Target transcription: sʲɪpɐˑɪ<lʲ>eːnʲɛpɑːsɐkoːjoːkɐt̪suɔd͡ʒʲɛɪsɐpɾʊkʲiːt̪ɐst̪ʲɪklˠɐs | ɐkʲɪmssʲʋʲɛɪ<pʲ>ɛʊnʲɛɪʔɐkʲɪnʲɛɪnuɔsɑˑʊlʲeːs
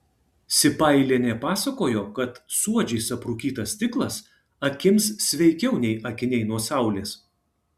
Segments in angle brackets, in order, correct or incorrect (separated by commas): correct, incorrect